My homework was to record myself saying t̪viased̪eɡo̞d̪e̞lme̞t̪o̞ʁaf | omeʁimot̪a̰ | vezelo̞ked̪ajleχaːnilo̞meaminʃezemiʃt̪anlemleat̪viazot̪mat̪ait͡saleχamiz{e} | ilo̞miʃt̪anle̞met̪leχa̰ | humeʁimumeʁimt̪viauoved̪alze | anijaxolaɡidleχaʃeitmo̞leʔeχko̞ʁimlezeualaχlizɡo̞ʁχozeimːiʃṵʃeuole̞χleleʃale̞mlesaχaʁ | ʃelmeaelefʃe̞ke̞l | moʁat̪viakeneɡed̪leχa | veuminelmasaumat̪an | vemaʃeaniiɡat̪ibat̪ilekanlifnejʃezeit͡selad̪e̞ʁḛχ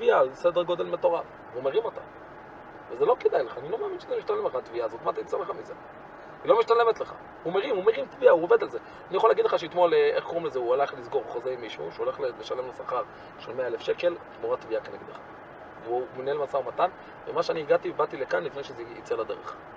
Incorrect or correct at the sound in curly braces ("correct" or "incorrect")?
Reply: correct